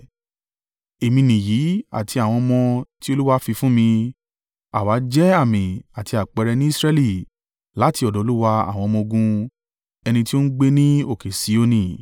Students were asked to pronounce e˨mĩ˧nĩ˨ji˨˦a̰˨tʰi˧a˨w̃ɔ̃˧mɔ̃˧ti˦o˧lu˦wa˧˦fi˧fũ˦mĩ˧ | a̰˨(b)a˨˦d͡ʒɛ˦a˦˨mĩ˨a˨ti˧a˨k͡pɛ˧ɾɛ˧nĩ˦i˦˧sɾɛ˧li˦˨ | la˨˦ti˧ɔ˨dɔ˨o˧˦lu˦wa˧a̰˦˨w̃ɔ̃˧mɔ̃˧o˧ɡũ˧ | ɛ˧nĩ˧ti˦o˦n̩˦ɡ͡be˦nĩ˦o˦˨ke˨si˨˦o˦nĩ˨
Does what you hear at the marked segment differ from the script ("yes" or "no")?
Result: yes